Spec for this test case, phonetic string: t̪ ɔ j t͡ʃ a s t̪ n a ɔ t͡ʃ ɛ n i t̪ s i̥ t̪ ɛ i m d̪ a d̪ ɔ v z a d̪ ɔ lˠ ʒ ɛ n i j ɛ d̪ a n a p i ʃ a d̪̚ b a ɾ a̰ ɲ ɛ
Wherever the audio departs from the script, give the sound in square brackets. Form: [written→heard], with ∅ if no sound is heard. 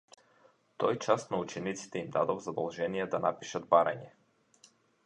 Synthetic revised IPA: t̪ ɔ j t͡ʃ a s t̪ n a [ɔ→u] t͡ʃ ɛ n i t̪ s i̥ t̪ ɛ i m d̪ a d̪ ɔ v z a d̪ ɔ lˠ ʒ ɛ n i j ɛ d̪ a n a p i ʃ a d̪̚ b a ɾ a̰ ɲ ɛ